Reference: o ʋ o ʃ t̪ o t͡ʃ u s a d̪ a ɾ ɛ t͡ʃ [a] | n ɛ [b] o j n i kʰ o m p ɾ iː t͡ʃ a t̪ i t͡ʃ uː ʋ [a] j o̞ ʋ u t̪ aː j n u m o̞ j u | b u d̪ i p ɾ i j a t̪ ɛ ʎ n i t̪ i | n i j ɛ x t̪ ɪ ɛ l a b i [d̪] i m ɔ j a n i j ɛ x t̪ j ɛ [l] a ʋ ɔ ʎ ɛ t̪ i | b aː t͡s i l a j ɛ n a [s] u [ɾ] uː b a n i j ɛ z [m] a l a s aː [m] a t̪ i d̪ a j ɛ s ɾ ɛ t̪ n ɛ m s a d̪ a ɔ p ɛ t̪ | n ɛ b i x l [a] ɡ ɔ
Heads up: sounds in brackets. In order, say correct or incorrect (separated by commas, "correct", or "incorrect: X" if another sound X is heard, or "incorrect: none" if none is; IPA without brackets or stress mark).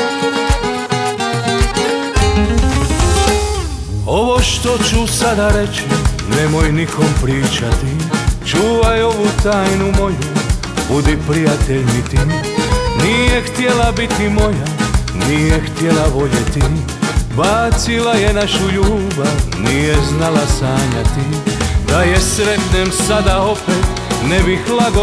incorrect: i, incorrect: m, correct, incorrect: t̪, correct, incorrect: ʃ, incorrect: ʎ, incorrect: n, incorrect: ɲ, correct